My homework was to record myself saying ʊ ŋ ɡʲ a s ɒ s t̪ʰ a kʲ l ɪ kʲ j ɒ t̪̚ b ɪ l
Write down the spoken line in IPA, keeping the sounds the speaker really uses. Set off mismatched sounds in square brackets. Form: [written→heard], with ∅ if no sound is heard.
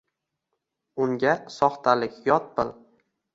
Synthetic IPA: ʊ ŋ ɡʲ a s ɒ [s→χ] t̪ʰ a [kʲ→∅] l ɪ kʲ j ɒ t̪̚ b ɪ l